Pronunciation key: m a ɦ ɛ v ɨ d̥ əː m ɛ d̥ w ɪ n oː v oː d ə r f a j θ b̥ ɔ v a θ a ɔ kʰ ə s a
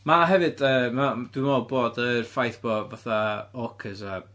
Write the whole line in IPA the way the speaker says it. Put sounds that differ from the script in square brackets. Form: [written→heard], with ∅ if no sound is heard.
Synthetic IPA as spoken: m a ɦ ɛ v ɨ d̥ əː m [ɛ→a] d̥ w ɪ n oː [v→b] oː d ə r f a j θ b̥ ɔ v a θ a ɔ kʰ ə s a